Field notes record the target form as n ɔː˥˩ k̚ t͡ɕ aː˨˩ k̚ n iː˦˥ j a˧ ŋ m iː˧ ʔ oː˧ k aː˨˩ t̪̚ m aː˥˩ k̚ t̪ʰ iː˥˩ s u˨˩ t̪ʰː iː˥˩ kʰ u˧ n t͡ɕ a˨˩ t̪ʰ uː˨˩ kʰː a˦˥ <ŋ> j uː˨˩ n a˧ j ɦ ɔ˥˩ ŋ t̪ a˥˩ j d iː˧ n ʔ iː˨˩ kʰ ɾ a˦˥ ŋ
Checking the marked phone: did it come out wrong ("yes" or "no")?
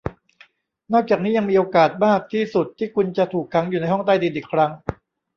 no